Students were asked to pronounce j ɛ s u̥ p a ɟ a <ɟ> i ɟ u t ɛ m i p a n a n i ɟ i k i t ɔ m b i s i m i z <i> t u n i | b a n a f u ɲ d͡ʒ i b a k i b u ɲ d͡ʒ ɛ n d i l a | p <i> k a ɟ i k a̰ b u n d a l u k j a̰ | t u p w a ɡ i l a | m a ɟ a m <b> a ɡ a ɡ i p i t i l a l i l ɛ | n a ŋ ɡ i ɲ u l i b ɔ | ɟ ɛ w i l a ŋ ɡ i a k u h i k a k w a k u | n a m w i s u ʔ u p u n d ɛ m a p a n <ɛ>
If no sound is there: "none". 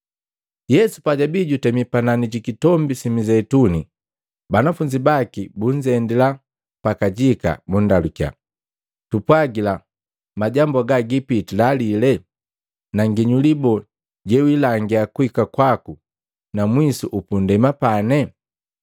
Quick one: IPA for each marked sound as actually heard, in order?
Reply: b, ɛ, a, b, ɛ

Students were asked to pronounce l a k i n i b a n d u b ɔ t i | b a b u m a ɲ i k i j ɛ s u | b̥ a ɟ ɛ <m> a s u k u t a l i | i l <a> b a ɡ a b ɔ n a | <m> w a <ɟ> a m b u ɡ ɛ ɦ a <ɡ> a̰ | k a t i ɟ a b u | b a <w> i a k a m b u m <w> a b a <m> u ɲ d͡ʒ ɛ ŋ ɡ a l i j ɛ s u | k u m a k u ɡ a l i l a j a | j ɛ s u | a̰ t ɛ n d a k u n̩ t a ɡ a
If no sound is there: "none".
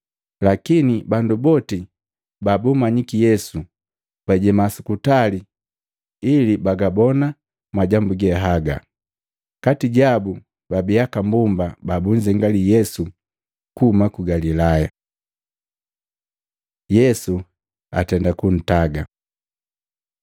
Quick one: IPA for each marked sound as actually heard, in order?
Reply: m, i, m, ɟ, ɡ, b, b, b

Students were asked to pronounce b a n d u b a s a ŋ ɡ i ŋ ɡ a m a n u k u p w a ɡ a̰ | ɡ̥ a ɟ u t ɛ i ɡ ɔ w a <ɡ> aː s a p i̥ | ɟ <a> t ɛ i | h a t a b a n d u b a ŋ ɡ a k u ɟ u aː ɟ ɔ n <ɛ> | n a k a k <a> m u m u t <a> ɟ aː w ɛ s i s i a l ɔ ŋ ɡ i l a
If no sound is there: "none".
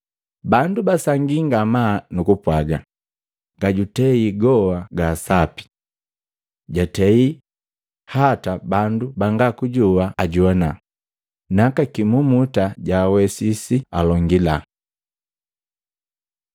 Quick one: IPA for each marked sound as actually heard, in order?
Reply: ɡ, a, a, i, a

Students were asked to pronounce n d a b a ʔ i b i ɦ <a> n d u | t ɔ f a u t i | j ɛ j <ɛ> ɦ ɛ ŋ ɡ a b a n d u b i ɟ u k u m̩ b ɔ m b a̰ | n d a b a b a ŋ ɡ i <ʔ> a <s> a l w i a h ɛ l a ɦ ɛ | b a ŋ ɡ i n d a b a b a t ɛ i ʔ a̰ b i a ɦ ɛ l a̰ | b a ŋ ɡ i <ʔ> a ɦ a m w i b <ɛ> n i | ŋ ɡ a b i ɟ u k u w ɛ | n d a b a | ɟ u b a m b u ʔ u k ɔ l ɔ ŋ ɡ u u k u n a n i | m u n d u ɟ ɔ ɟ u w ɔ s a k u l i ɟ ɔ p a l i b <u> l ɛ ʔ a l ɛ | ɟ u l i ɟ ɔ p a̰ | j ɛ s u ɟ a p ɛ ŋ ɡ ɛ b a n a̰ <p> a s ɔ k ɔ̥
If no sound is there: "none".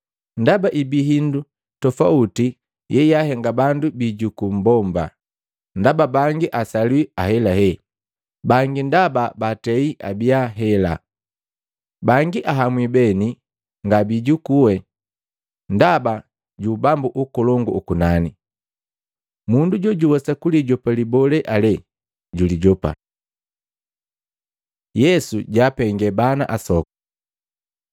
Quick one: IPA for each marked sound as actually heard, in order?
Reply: i, a, ʔ, s, ʔ, ɛ, ɔ, ʔ

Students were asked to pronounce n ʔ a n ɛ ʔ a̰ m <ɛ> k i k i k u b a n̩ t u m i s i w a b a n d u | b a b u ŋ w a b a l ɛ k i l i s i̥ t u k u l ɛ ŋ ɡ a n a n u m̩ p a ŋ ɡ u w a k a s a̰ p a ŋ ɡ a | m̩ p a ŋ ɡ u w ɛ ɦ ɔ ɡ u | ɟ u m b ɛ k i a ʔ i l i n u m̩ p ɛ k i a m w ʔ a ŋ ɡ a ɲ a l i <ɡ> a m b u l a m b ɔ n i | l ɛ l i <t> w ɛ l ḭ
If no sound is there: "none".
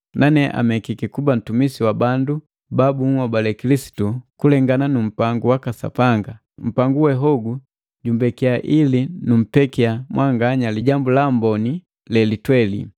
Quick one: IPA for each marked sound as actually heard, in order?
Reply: ɛ, ɟ, t

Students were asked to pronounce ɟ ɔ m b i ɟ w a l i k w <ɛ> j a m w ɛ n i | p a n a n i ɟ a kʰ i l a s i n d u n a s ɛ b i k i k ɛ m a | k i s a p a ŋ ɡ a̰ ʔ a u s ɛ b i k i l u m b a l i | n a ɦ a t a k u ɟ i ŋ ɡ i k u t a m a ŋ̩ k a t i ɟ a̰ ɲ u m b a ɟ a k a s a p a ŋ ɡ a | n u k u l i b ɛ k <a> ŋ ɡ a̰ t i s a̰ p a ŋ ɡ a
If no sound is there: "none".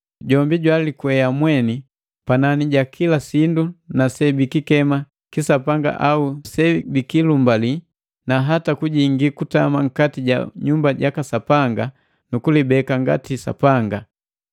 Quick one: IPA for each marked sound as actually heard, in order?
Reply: ɛ, a

